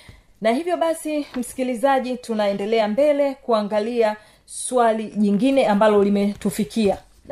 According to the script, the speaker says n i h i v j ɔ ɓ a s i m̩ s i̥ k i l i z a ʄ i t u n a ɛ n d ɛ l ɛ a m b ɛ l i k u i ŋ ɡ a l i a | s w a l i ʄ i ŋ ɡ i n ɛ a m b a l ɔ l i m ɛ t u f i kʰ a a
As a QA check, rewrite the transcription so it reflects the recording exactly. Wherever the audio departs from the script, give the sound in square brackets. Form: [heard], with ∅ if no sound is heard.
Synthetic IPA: n [a] h i v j ɔ ɓ a s i m̩ s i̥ k i l i z a ʄ i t u n a ɛ n d ɛ l ɛ a m b ɛ l [ɛ] k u [a] ŋ ɡ a l i a | s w a l i ʄ i ŋ ɡ i n ɛ a m b a l ɔ l i m ɛ t u f i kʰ [i] a